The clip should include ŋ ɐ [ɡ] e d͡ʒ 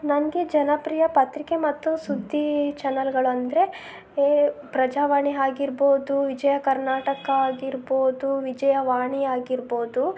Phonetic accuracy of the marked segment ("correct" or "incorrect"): correct